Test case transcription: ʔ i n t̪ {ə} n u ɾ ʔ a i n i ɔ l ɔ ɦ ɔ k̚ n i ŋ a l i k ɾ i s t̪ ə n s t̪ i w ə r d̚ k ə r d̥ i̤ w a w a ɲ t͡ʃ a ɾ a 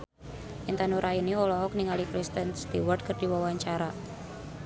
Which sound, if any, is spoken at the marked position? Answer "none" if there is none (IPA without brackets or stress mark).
a